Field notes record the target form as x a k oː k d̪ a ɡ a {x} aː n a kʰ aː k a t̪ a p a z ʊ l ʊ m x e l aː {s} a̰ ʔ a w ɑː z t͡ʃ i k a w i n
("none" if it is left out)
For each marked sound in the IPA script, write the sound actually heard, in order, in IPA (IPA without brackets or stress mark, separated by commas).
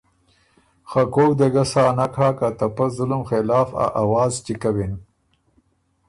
s, f